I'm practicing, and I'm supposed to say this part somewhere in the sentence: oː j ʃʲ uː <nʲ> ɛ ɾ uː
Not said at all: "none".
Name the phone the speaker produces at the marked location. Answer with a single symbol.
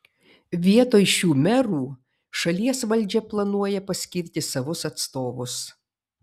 mʲ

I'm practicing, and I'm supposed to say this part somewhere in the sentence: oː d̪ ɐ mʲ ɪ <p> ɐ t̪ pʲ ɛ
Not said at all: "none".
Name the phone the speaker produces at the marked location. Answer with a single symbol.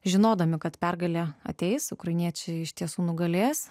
k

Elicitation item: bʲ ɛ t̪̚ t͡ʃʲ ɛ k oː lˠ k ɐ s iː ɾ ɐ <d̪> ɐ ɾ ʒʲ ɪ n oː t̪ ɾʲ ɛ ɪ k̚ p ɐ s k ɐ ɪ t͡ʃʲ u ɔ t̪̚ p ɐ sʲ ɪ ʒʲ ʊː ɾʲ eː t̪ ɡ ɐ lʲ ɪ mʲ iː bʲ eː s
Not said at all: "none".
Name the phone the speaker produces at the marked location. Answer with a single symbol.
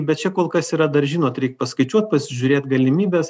d̪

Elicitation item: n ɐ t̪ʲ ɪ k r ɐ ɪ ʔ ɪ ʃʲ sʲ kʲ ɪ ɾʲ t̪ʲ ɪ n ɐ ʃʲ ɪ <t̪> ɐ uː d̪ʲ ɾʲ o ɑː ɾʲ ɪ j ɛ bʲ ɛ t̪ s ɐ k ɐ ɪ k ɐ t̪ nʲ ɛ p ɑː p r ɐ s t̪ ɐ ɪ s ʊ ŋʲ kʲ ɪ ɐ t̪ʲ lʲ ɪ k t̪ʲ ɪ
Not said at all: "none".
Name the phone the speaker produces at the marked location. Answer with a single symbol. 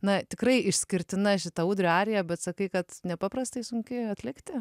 t̪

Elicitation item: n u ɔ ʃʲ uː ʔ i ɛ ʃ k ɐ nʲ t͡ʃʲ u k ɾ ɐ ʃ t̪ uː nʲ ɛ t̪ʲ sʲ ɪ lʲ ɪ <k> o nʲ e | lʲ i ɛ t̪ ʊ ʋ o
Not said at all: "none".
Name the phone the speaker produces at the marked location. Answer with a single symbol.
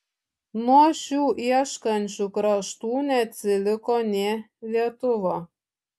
k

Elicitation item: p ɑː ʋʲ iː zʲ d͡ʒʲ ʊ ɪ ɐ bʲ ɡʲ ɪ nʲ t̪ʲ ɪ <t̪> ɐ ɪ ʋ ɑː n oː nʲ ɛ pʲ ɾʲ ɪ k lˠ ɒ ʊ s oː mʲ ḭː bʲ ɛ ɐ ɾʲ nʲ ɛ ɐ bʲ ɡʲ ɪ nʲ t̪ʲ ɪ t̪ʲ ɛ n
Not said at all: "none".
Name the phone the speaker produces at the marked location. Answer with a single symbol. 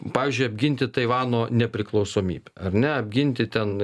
t̪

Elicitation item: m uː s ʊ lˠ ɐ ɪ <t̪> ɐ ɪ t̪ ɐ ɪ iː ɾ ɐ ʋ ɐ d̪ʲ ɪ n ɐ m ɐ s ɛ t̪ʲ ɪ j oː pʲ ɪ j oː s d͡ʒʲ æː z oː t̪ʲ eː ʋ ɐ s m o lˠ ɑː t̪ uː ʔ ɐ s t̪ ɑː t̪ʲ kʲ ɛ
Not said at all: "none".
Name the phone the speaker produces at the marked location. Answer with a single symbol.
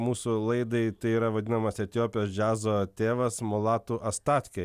d̪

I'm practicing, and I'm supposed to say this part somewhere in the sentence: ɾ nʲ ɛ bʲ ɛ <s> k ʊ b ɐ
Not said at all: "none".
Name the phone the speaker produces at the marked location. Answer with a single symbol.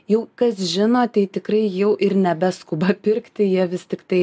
s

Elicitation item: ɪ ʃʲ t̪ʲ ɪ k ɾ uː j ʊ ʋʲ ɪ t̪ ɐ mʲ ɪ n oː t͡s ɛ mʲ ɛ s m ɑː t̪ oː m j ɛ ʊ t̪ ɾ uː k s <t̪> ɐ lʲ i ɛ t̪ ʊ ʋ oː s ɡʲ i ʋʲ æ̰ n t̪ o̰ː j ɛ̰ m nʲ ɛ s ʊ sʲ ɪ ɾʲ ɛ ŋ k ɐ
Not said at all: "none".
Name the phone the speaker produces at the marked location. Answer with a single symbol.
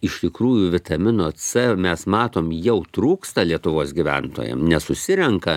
t̪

